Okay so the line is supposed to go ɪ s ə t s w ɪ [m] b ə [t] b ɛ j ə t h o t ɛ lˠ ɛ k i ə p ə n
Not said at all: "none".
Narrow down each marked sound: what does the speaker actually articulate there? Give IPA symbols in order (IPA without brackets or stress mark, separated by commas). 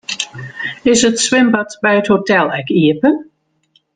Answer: m, t